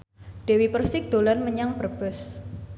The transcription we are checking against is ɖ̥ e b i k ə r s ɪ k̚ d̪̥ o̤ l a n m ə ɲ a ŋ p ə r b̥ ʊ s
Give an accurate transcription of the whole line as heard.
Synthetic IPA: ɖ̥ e w i p ə r s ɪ k̚ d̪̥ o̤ l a n m ə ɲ a ŋ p ə r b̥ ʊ s